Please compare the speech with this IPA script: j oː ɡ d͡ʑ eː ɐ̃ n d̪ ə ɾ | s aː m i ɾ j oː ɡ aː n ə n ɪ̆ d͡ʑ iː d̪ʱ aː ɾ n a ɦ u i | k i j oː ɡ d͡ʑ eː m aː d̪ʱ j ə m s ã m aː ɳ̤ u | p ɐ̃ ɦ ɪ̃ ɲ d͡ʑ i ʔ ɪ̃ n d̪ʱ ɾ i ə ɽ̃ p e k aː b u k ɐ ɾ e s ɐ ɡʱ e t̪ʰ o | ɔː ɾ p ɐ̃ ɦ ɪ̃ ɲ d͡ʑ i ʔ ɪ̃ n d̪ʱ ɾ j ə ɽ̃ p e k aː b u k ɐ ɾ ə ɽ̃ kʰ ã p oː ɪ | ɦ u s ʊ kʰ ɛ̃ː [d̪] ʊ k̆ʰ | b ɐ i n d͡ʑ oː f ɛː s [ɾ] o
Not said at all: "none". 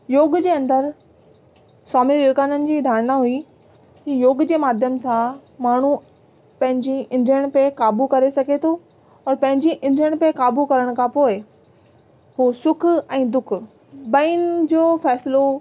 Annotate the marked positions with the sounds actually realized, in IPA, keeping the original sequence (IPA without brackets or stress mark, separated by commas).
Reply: d̪, l